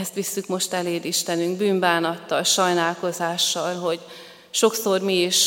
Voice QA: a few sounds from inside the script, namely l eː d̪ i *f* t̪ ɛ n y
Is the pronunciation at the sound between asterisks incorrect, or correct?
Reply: incorrect